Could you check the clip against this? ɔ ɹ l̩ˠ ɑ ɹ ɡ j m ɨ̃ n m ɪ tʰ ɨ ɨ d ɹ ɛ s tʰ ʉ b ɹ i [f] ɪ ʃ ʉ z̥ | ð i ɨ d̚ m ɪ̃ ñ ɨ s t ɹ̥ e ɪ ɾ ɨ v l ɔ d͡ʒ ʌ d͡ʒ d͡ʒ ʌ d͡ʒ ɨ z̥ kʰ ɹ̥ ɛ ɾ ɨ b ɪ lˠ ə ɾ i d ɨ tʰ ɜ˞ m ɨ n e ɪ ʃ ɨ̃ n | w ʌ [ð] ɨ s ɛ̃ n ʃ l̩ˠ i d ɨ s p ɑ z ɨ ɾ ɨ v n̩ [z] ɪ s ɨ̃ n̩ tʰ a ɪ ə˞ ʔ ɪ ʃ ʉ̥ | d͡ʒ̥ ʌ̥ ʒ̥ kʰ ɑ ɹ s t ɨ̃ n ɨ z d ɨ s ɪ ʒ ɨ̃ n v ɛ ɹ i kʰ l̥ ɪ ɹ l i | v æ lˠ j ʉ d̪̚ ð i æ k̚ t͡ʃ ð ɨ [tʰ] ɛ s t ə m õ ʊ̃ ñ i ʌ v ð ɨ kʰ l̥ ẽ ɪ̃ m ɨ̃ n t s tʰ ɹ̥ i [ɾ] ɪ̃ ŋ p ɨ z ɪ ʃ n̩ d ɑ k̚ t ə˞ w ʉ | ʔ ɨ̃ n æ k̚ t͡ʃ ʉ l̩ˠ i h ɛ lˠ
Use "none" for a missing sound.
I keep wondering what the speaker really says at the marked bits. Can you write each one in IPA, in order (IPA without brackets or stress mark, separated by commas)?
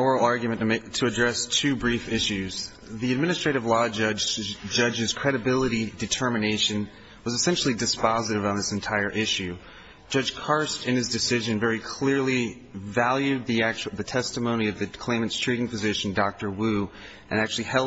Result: f, z, ð, tʰ, ɾ